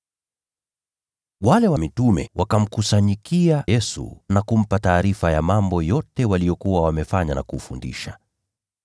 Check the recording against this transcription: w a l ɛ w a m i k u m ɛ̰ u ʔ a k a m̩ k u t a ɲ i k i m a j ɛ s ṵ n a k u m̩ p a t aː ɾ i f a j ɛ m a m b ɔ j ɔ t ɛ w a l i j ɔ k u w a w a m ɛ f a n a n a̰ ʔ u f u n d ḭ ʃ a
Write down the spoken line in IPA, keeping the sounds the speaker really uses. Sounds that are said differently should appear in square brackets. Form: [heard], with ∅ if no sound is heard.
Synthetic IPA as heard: w a l ɛ w a m i [t] u m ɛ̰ [w] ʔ a k a m̩ k u [s] a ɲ i k i [∅] a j ɛ s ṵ n a k u m̩ p a t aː ɾ i f a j [a] m a m b ɔ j ɔ t ɛ w a l i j ɔ k u w a w a m ɛ f a [ɲ] a n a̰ [k] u f u n d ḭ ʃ a